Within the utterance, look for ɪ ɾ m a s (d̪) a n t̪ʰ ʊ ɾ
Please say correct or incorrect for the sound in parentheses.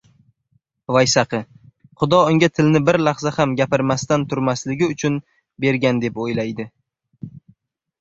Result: incorrect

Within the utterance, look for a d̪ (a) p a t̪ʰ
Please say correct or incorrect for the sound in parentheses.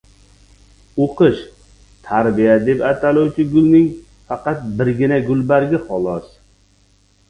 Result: incorrect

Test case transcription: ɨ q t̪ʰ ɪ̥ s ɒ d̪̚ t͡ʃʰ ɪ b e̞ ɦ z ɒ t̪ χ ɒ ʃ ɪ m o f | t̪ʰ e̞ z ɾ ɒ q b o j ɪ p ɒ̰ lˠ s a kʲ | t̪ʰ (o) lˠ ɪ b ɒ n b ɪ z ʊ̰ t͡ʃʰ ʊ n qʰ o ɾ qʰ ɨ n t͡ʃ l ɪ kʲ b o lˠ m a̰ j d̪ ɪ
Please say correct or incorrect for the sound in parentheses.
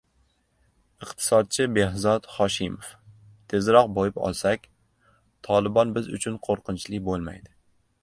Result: incorrect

